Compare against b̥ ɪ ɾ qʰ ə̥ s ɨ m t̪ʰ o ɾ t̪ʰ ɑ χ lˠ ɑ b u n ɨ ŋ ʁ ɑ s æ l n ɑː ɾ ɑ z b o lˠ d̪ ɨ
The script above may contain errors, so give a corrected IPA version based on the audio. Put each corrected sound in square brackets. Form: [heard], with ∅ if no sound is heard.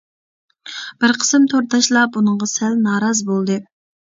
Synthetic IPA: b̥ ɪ ɾ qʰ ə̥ s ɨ m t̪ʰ o ɾ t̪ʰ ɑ [ʃ] lˠ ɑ b u n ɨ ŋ ʁ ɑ s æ l n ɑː ɾ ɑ z b o lˠ d̪ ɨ